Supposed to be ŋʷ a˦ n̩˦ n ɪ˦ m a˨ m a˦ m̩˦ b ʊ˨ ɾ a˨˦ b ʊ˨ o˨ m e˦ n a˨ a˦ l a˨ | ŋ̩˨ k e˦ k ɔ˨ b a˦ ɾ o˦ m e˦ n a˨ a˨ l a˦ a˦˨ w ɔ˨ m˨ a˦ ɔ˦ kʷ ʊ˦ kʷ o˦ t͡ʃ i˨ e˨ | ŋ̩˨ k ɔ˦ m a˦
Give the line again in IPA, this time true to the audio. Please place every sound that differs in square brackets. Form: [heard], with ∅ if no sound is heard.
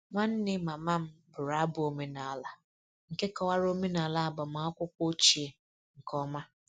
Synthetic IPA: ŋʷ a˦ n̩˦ n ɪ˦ m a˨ m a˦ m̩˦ b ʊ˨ ɾ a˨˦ b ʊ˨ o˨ m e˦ n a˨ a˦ l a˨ | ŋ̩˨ k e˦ k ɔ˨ [w] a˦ ɾ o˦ m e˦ n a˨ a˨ l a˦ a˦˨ [b] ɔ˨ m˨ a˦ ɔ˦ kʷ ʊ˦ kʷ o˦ t͡ʃ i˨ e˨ | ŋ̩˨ k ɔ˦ m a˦